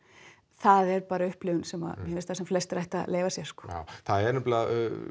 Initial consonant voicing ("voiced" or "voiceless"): voiceless